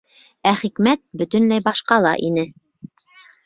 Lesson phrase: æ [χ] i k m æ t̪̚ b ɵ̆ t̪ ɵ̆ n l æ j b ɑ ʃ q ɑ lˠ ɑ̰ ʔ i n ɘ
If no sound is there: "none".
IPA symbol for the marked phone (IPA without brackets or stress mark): χ